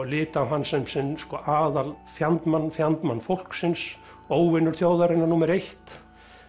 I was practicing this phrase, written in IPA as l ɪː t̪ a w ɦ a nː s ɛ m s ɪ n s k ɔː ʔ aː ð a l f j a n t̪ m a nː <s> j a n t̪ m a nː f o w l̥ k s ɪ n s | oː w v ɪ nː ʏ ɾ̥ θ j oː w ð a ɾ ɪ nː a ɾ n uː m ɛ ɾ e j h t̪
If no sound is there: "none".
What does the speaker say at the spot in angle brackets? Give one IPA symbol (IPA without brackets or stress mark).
f